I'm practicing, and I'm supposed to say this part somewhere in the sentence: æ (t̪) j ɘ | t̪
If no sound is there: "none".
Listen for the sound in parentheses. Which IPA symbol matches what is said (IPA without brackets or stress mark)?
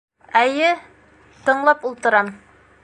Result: none